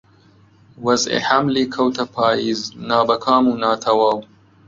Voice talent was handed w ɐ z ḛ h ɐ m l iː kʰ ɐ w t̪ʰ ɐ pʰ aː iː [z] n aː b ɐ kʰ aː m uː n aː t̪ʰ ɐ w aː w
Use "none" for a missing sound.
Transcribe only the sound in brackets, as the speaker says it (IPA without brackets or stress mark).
z